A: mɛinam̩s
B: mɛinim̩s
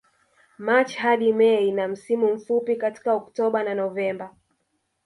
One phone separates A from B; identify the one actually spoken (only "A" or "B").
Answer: A